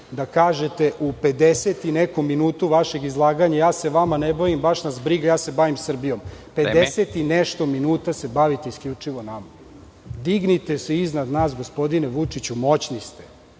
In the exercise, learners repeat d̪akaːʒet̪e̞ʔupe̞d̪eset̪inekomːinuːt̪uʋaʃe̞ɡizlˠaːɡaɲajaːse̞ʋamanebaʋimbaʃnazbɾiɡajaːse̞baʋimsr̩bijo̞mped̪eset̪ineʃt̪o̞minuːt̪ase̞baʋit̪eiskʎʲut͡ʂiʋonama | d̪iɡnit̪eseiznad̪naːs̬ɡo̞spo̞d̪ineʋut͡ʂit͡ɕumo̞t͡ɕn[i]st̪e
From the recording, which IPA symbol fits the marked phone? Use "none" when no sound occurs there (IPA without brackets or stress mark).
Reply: i